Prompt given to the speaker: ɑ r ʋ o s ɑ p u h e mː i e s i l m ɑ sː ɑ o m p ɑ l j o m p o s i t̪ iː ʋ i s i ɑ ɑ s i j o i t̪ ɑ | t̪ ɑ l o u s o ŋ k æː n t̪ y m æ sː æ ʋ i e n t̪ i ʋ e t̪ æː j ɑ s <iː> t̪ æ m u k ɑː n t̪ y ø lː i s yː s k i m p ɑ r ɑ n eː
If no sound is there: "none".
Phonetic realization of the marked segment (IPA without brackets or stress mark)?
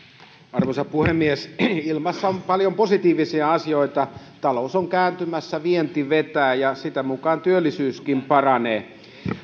i